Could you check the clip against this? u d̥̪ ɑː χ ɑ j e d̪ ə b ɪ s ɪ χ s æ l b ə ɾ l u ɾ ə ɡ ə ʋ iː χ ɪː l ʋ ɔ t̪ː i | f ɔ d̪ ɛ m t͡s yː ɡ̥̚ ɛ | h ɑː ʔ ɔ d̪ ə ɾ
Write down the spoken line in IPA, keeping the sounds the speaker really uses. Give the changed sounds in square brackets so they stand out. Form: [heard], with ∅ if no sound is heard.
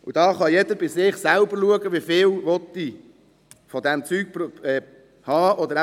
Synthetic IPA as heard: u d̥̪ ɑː χ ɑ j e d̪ ə b ɪ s ɪ χ s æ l b ə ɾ l u [∅] ə ɡ ə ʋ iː [f] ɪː l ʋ ɔ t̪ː i | f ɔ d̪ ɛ m t͡s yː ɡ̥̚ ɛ | h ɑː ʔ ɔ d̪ ə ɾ